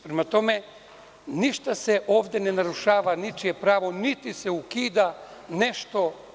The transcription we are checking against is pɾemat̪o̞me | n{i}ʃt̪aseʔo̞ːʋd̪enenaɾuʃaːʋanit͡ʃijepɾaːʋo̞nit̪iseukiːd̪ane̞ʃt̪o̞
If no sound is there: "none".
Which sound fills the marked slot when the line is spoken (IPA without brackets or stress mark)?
i